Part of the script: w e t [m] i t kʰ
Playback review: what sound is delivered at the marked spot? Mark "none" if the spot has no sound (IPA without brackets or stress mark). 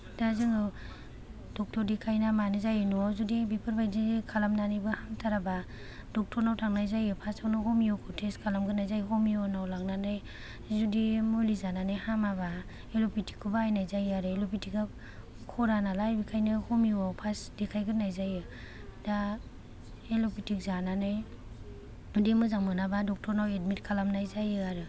m